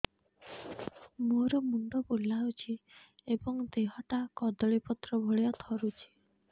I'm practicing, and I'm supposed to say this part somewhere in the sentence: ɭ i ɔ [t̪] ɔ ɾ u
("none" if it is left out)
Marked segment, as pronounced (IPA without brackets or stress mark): t̪ʰ